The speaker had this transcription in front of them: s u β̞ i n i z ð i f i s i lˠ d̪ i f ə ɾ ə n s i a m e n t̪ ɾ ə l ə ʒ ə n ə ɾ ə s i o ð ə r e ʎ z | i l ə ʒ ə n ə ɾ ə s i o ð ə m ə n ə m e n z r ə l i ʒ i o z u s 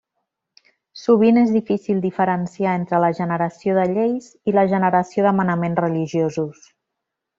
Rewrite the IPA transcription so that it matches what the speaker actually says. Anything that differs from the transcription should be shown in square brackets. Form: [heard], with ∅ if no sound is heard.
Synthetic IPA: s u β̞ i n [e] z ð i f i s i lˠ d̪ i f ə ɾ ə n s i a [∅] e n t̪ ɾ ə l ə ʒ ə n ə ɾ ə s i o ð ə [ʎ] e [j] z | i l ə ʒ ə n ə ɾ ə s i o ð ə m ə n ə m e n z r ə l i ʒ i o z u s